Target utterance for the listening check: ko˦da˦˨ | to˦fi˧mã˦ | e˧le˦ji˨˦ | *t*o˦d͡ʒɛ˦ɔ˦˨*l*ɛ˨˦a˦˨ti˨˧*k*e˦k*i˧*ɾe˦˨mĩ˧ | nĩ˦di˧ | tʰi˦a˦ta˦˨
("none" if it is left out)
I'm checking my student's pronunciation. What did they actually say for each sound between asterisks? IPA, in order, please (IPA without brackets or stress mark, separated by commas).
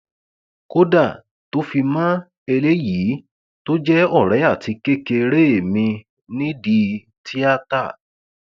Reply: t, ɾ, k, e˧